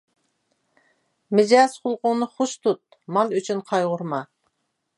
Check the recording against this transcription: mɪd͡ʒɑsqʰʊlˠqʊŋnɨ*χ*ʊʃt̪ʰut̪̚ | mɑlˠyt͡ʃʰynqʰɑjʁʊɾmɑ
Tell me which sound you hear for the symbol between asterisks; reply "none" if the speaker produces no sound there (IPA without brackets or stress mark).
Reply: χ